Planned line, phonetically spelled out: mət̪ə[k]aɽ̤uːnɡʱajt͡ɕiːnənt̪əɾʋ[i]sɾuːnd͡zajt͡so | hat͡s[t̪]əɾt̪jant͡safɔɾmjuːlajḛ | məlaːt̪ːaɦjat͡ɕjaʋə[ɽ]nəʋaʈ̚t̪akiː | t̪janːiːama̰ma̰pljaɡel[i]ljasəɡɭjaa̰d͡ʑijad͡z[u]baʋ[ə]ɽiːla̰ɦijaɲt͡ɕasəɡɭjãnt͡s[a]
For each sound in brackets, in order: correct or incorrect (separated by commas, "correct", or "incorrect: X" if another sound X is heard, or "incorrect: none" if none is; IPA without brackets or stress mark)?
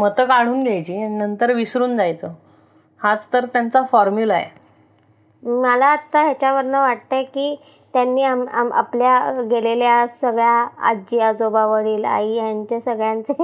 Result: correct, correct, correct, incorrect: ɾ, incorrect: e, incorrect: o, correct, incorrect: e